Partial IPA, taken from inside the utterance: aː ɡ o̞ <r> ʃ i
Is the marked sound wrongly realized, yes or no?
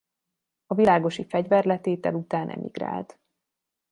yes